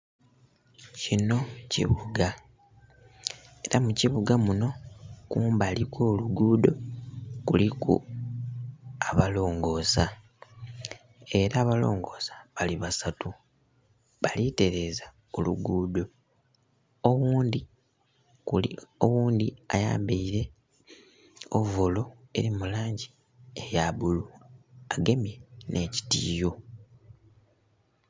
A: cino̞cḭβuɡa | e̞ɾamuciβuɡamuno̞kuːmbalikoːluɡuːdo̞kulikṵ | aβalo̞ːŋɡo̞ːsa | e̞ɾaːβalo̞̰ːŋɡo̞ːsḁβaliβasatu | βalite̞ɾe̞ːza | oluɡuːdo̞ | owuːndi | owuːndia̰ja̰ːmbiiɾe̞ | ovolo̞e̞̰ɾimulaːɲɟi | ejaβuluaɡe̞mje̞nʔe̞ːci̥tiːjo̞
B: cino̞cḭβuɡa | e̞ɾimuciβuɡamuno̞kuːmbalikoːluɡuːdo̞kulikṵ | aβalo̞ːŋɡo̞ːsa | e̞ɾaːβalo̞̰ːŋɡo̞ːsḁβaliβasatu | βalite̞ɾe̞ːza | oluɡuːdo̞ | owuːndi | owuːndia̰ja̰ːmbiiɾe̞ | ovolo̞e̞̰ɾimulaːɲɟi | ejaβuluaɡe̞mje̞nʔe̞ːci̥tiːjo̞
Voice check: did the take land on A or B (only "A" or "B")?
A